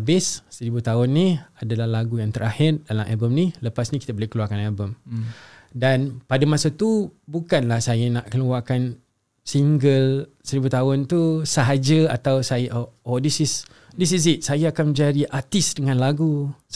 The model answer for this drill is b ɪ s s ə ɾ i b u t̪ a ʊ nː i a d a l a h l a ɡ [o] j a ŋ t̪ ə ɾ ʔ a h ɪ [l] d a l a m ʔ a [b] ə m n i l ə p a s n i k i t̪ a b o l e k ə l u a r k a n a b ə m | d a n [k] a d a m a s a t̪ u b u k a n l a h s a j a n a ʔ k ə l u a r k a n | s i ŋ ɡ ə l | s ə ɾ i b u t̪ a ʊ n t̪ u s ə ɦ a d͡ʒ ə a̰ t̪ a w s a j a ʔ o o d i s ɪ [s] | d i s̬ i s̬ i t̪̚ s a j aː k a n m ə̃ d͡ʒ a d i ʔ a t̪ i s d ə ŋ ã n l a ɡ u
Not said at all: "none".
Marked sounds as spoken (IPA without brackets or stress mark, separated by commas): u, r, b, p, s